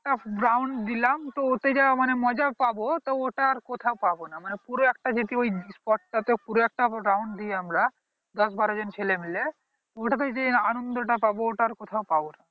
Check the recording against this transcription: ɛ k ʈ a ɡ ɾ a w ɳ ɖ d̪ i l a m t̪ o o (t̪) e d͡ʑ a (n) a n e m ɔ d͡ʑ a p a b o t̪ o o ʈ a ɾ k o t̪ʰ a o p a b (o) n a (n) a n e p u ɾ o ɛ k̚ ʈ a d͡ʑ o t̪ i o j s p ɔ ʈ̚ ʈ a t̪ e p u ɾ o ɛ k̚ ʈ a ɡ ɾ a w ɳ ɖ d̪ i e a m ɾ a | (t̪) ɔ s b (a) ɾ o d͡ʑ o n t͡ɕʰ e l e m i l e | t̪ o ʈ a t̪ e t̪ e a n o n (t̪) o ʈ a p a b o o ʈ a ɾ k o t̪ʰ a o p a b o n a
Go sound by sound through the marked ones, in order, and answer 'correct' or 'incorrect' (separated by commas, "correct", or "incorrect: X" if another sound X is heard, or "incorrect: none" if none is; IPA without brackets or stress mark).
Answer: correct, incorrect: m, correct, incorrect: m, incorrect: d̪, correct, incorrect: d̪